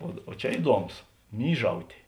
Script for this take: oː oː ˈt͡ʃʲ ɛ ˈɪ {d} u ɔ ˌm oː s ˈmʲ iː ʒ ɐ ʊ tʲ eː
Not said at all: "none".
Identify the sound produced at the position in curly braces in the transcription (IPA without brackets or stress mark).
d